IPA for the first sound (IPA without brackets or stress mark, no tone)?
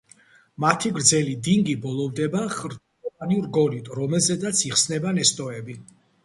m